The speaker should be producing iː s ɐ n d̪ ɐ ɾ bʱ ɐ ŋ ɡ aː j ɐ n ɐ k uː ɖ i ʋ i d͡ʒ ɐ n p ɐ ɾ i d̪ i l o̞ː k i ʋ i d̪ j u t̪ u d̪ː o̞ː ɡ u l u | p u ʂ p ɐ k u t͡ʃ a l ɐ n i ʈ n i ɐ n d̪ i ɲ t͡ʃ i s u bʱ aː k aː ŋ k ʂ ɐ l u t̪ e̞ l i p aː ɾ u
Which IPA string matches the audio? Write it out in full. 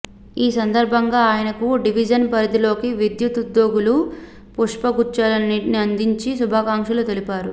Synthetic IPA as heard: iː s ɐ n d̪ ɐ ɾ bʱ ɐ ŋ ɡ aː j ɐ n ɐ k u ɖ i ʋ i d͡ʒ ɐ n p ɐ ɾ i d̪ i l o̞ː k i ʋ i d̪ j u t̪ u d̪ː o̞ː ɡ u l u | p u ʂ p ɐ ɡ u t͡ʃ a l ɐ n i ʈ n i ɐ n d̪ i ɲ t͡ʃ i s u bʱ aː k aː ŋ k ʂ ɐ l u t̪ e̞ l i p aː ɾ u